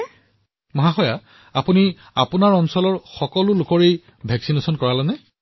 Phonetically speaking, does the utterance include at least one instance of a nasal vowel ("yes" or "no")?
no